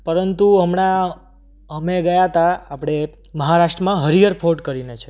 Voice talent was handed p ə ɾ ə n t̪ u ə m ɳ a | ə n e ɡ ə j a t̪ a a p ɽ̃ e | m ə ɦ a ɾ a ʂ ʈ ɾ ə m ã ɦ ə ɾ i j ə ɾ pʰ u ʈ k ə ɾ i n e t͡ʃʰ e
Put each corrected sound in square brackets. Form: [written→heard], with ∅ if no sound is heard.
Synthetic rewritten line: p ə ɾ ə n t̪ u ə m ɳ a | ə [n→m] e ɡ ə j a t̪ a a p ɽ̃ e | m ə ɦ a ɾ a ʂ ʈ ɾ ə m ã ɦ ə ɾ i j ə ɾ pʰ [u→o] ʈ k ə ɾ i n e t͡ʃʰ e

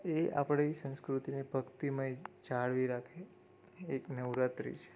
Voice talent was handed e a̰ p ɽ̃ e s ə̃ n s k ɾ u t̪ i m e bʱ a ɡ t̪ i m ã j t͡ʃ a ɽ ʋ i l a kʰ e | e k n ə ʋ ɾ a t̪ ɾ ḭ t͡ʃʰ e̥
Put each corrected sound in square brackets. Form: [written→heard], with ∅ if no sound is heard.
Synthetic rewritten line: e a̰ p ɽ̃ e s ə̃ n s k ɾ u t̪ i [m→n] e bʱ [a→ə] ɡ t̪ i m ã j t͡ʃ a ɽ ʋ i [l→ɾ] a kʰ e | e k n ə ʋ ɾ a t̪ ɾ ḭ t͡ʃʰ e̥

